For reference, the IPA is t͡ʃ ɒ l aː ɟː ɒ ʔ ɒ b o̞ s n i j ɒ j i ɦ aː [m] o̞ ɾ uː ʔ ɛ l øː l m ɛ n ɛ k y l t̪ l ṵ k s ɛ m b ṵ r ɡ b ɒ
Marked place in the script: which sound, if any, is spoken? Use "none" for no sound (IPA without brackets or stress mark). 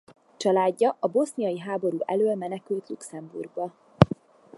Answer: b